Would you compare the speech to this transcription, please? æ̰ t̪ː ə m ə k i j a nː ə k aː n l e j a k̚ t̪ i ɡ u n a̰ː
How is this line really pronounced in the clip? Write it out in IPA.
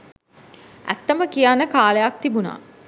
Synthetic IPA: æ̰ t̪ː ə m ə k i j a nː ə k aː l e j a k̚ t̪ i b u n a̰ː